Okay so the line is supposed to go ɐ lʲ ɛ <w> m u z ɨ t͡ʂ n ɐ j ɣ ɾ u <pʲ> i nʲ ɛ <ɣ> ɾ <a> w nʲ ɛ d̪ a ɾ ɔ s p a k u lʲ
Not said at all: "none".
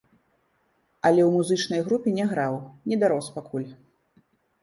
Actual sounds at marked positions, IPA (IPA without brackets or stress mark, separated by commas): w, pʲ, ɣ, a